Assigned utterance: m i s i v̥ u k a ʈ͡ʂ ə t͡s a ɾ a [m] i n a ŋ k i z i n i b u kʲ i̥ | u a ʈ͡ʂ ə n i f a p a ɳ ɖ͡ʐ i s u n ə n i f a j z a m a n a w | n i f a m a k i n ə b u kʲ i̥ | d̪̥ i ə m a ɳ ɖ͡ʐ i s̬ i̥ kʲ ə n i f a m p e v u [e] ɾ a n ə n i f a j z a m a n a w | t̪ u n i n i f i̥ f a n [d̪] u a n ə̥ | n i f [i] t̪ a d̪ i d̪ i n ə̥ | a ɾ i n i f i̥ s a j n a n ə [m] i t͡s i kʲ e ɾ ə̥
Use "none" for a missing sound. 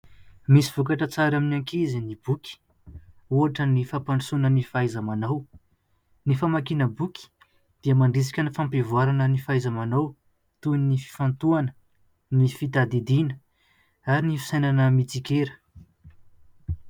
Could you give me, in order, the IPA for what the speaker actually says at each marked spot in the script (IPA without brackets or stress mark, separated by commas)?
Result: m, a, t̪, i, m